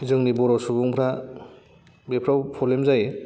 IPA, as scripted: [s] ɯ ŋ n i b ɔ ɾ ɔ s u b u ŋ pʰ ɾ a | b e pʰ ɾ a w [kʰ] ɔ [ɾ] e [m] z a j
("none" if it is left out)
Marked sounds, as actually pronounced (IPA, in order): z, pʰ, l, m

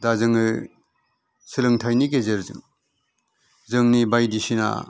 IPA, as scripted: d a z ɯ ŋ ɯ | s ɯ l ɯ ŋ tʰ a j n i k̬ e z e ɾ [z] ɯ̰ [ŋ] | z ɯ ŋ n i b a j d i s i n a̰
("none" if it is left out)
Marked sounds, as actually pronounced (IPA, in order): z, ŋ

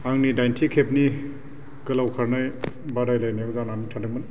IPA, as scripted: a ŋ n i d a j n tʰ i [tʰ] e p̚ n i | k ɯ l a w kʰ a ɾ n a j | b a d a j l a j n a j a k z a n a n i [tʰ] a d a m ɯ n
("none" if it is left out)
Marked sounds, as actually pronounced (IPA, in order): kʰ, tʰ

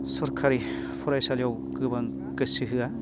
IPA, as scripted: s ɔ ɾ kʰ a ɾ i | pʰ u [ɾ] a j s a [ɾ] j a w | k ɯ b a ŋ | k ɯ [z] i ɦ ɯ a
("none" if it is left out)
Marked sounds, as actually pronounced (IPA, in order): ɾ, l, s

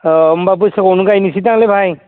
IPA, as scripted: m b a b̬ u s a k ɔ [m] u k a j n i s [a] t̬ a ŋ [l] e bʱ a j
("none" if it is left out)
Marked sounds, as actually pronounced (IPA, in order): n, i, l

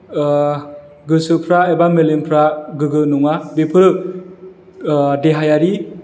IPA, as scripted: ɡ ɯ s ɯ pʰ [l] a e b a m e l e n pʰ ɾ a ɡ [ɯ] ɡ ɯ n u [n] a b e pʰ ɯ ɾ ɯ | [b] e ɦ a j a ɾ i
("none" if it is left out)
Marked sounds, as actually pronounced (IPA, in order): ɾ, ɯ, ŋ, d

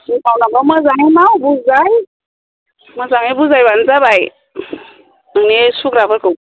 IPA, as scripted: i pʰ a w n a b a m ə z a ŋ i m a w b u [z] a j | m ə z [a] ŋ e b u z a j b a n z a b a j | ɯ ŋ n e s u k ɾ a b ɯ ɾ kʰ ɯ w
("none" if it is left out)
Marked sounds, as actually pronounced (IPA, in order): z, a

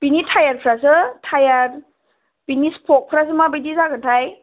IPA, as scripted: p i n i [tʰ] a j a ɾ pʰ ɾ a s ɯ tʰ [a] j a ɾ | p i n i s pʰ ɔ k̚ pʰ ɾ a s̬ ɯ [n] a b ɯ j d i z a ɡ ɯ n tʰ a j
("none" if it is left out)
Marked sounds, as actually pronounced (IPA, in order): tʰ, a, m

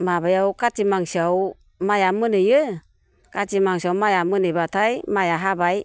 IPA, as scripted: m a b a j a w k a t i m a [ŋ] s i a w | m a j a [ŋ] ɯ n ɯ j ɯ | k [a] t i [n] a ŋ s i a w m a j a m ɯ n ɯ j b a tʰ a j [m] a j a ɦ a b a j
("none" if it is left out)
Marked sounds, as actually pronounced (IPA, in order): ŋ, m, a, m, m

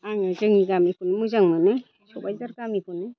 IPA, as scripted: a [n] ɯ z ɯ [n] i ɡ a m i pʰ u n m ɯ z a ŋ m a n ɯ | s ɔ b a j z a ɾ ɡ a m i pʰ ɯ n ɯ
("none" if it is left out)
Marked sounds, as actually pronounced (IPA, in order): ŋ, ŋ

